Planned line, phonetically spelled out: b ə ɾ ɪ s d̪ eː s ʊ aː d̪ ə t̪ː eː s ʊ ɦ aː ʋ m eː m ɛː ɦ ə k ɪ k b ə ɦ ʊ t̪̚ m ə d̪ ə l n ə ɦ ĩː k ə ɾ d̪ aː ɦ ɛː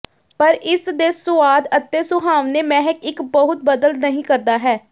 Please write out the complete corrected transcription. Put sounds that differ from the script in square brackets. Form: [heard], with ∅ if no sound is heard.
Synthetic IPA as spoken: [p] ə ɾ ɪ s d̪ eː s ʊ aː d̪ ə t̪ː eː s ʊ ɦ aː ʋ [n] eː m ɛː ɦ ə k ɪ k b ə ɦ ʊ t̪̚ [b] ə d̪ ə l n ə ɦ ĩː k ə ɾ d̪ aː ɦ ɛː